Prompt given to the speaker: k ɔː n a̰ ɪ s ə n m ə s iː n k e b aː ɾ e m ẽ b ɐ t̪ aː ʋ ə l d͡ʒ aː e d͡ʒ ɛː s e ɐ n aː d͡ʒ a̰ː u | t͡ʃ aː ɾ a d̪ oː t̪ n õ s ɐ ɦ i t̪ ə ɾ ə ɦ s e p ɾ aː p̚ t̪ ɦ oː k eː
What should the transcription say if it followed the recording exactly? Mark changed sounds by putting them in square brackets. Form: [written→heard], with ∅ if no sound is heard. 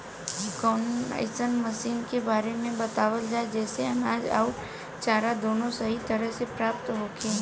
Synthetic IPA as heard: k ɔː n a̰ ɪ s ə n m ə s iː n k e b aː ɾ e m ẽ b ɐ t̪ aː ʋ ə l d͡ʒ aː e d͡ʒ ɛː s e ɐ n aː d͡ʒ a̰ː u | t͡ʃ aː ɾ a d̪ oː [t̪→∅] n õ s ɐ ɦ i t̪ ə ɾ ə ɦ s e p ɾ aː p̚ t̪ ɦ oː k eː